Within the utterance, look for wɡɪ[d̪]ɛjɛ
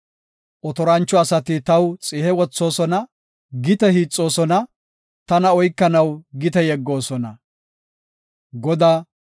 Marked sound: incorrect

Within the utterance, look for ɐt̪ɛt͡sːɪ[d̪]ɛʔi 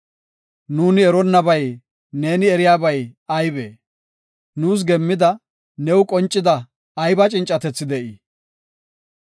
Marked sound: correct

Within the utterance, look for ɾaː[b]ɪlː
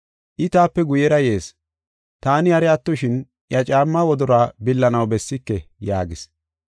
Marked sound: correct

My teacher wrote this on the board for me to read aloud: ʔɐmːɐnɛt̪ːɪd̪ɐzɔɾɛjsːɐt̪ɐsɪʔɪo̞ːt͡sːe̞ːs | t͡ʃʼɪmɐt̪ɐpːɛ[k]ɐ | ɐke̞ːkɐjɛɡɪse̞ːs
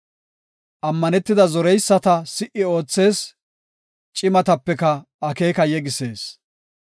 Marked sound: correct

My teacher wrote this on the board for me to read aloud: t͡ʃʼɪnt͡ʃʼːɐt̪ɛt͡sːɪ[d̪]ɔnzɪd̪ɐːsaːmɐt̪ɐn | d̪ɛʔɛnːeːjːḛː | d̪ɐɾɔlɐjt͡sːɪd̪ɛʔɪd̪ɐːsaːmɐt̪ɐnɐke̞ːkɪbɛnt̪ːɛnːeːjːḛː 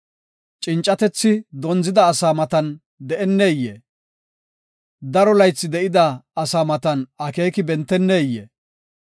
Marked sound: correct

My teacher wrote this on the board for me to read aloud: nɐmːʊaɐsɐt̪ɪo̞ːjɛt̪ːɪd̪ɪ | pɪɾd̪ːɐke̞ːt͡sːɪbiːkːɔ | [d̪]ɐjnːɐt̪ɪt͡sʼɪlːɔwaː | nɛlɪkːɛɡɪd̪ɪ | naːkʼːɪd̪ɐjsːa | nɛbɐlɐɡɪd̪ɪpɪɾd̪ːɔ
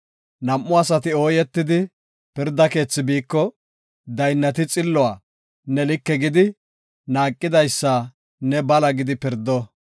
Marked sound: correct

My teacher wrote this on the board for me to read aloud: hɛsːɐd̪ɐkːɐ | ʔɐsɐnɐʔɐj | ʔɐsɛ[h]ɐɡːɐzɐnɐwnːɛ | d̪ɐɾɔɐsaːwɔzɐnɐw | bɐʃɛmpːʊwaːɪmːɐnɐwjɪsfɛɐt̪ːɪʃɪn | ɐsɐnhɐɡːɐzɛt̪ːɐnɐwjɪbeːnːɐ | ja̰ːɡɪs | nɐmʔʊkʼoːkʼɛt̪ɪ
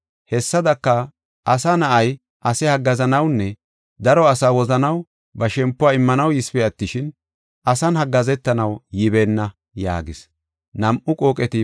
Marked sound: correct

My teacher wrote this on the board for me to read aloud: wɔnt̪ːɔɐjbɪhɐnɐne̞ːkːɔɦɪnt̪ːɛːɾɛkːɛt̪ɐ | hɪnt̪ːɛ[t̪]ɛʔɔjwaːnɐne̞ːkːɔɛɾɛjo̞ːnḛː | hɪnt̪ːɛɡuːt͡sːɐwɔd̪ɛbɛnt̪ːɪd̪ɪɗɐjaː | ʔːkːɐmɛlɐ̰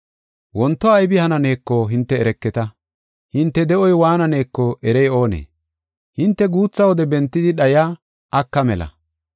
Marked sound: incorrect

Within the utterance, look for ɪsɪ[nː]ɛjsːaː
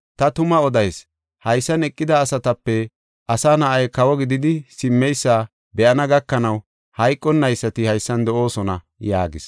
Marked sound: incorrect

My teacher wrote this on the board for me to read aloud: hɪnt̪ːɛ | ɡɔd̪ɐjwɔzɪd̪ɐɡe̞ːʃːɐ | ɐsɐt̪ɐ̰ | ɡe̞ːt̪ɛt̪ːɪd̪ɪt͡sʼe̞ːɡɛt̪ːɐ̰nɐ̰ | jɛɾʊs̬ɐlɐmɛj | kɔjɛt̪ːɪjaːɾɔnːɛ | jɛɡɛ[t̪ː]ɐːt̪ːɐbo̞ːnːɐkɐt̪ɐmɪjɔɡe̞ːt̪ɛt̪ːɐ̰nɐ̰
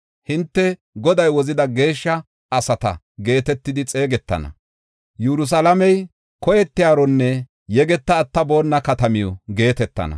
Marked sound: correct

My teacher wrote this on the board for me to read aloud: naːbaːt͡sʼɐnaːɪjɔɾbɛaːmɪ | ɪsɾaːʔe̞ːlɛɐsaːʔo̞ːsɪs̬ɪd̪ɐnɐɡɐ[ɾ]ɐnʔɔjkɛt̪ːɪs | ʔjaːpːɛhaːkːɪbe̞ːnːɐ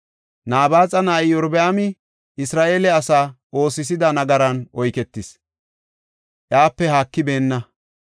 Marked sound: correct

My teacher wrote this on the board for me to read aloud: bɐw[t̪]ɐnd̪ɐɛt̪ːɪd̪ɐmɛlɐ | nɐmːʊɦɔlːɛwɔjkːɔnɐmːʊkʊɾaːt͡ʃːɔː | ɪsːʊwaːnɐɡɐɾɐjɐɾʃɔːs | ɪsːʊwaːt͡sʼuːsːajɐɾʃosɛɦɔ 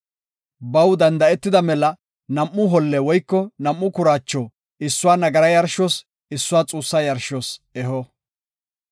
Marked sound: incorrect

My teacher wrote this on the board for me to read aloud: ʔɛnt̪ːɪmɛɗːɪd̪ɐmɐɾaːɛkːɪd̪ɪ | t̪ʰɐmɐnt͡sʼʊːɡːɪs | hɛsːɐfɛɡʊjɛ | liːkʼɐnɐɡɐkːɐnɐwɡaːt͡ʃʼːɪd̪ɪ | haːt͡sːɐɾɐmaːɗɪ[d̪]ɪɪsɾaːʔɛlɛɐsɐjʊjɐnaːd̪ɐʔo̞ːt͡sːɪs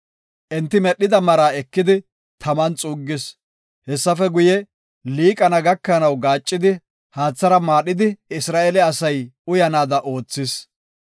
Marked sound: correct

